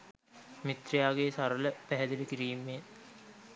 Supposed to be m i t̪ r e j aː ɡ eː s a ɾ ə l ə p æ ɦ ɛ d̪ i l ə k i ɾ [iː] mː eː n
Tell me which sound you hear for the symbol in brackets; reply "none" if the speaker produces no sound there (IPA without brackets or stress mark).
iː